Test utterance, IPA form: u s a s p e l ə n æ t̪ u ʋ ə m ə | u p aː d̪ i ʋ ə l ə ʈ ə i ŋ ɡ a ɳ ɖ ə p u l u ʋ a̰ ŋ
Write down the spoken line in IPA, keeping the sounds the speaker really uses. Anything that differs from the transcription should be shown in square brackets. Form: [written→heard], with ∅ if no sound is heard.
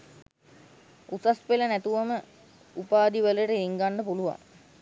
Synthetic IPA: u s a s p e l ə n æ t̪ u ʋ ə m ə | u p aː d̪ i ʋ ə l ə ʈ ə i ŋ ɡ a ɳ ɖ ə p u l u ʋ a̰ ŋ